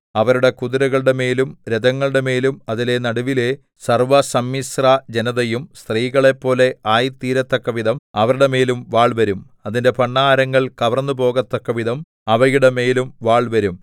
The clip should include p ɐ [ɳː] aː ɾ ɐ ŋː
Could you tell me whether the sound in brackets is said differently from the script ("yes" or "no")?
no